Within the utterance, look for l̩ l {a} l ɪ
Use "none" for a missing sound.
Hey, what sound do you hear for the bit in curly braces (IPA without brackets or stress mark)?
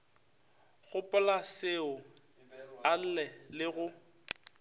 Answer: ɛ